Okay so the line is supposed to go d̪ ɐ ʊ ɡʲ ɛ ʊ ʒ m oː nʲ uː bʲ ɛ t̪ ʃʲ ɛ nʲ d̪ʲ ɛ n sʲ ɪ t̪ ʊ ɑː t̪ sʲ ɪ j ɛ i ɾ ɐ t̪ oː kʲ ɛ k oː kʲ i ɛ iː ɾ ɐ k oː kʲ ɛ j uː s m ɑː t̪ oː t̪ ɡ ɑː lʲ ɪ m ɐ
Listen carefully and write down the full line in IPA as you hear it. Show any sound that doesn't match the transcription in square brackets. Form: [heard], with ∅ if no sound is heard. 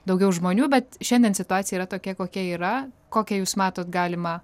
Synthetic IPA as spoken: d̪ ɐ ʊ ɡʲ ɛ ʊ ʒ m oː nʲ uː bʲ ɛ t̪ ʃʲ ɛ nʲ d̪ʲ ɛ n sʲ ɪ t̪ ʊ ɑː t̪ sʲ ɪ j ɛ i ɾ ɐ t̪ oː kʲ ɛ k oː kʲ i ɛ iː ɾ ɐ k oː kʲ ɛ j uː s m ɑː t̪ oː t̪ ɡ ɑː lʲ ɪ m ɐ